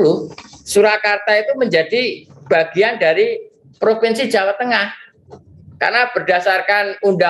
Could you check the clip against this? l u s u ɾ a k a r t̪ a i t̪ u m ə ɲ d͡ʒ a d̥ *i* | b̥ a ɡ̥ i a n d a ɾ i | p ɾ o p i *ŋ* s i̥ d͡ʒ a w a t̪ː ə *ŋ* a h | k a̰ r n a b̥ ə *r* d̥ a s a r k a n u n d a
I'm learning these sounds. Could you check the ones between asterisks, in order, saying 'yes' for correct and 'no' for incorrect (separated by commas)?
yes, no, yes, yes